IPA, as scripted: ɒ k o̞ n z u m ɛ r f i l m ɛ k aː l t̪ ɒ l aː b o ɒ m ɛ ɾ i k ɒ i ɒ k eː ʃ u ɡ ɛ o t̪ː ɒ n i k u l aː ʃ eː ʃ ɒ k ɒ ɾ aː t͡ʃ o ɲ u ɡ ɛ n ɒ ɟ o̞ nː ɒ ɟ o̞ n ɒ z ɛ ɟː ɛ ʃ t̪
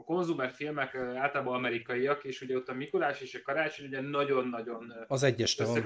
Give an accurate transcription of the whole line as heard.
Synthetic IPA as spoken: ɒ k o̞ n z u m ɛ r f i l m ɛ k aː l t̪ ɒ l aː b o ɒ m ɛ ɾ i k ɒ i ɒ k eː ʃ u ɟ ɛ o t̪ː ɒ m i k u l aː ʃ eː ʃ ɒ k ɒ ɾ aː t͡ʃ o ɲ u ɟ ɛ n ɒ ɟ o̞ nː ɒ ɟ o̞ n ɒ z ɛ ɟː ɛ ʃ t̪